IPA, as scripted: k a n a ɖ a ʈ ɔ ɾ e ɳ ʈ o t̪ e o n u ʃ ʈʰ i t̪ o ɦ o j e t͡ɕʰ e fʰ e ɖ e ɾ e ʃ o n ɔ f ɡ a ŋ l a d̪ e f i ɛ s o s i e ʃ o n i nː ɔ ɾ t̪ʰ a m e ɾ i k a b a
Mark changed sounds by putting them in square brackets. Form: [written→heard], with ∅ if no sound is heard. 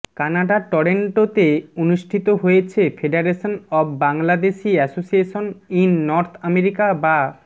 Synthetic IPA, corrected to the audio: k a n a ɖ a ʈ ɔ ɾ e ɳ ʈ o t̪ e o n u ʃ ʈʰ i t̪ o ɦ o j e t͡ɕʰ e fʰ e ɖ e ɾ e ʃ o n ɔ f [ɡ→b] a ŋ l a d̪ e [f→ʃ] i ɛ s o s i e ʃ o n i nː ɔ ɾ t̪ʰ a m e ɾ i k a b a